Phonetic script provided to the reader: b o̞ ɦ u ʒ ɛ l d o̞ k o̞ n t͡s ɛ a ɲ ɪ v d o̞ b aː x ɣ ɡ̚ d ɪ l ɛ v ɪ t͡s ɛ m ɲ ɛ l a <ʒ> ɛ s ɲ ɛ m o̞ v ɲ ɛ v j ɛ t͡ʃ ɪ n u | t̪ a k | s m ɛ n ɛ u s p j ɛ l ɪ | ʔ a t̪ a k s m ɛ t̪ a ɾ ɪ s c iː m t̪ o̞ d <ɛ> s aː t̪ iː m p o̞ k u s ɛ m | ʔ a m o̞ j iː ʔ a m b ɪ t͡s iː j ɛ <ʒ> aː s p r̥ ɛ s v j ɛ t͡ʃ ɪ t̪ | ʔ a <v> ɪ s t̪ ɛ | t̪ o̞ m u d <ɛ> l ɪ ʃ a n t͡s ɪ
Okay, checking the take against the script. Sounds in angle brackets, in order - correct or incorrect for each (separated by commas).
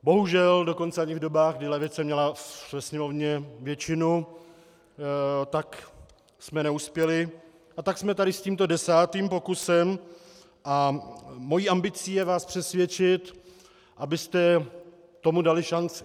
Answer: incorrect, correct, incorrect, incorrect, incorrect